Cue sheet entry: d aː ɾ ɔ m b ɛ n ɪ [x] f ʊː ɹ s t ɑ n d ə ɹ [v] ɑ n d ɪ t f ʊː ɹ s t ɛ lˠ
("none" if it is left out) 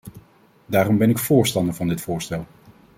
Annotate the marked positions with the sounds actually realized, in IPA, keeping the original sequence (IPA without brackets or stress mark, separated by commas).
k, v